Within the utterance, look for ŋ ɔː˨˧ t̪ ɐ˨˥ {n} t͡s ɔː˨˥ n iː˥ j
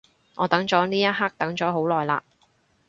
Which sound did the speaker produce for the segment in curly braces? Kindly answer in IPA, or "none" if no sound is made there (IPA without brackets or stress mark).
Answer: ŋ